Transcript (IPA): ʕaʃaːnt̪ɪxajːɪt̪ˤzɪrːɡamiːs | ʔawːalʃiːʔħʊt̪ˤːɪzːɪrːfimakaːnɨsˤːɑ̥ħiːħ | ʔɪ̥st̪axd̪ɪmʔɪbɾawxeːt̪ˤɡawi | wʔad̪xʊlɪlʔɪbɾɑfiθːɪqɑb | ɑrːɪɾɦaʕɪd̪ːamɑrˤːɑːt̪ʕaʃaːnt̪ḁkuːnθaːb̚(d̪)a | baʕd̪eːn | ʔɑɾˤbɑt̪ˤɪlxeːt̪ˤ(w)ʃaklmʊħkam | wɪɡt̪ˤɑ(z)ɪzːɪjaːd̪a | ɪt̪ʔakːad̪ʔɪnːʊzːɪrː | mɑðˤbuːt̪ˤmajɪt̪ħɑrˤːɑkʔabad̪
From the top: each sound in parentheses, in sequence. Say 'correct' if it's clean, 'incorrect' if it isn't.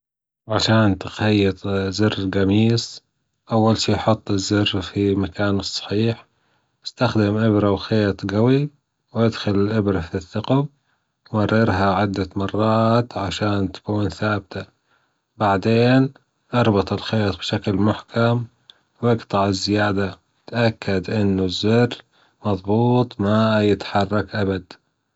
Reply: incorrect, incorrect, incorrect

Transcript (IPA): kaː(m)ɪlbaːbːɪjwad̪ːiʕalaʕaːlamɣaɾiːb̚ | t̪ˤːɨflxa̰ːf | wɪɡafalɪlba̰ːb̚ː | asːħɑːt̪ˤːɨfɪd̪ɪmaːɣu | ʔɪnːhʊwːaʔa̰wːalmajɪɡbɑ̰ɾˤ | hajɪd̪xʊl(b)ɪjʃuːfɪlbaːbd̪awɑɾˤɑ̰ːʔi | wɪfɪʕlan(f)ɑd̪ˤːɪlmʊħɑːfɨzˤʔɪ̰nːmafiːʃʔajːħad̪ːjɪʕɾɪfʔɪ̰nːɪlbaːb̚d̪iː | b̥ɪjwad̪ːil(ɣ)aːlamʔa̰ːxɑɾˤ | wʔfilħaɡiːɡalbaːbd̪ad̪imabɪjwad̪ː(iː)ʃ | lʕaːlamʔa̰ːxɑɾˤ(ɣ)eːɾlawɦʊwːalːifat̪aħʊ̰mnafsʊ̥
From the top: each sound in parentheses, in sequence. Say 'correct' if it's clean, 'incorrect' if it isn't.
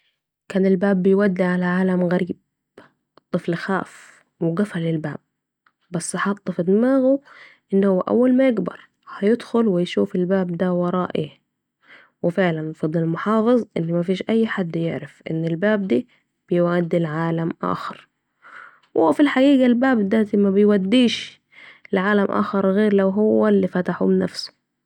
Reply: incorrect, incorrect, correct, incorrect, correct, correct

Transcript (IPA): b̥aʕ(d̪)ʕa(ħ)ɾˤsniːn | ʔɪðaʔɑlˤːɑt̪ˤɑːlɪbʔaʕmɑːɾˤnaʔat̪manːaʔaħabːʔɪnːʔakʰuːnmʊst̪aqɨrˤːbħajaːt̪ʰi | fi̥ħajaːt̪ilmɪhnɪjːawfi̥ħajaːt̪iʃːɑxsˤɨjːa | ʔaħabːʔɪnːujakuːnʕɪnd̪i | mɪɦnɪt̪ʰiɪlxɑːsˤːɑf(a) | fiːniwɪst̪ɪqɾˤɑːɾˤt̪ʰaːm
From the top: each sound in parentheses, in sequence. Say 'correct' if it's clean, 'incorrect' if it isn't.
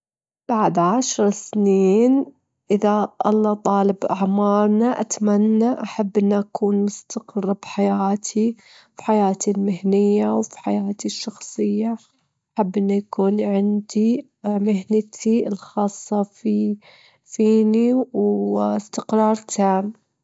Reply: correct, incorrect, incorrect

